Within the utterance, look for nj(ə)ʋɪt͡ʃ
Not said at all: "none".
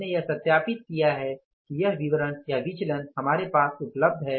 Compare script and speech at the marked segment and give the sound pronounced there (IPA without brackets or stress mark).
a